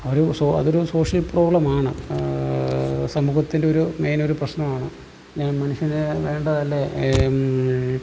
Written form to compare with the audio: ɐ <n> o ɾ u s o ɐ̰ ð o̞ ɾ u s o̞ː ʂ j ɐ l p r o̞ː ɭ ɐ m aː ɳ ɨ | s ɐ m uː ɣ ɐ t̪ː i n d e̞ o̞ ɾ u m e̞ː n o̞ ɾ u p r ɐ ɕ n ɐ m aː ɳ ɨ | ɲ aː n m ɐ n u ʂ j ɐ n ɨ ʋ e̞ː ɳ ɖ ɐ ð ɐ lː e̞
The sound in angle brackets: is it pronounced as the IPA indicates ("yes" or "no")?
no